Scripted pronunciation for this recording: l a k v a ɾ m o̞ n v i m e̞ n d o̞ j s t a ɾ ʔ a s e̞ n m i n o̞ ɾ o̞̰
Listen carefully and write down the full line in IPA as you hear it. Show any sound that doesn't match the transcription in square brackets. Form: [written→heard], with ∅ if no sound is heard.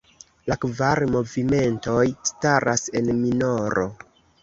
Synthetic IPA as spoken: l a k v a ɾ m o̞ [n→∅] v i m e̞ n [d→t] o̞ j s t a ɾ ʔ a s e̞ n m i n o̞ ɾ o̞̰